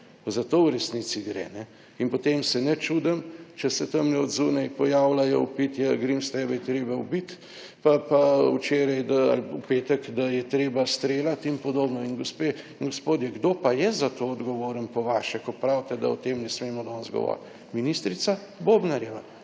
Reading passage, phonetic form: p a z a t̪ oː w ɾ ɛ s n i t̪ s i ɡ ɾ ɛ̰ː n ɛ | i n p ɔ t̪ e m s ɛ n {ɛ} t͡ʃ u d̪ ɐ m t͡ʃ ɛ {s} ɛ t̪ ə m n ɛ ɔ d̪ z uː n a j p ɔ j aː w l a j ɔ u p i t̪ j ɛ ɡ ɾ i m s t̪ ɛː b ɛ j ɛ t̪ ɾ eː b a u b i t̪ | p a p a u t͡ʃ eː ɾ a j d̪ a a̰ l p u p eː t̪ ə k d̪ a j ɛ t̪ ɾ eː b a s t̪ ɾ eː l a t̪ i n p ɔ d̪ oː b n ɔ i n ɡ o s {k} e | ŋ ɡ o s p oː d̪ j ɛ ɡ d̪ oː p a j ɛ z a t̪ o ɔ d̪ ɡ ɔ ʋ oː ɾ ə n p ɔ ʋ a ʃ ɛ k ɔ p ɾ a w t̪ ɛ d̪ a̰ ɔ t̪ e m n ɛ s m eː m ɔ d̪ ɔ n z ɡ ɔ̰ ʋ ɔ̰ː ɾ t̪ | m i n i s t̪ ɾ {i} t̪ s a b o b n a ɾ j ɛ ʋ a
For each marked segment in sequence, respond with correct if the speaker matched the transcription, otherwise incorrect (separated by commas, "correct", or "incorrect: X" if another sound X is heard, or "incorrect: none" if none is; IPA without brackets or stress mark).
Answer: correct, correct, incorrect: p, correct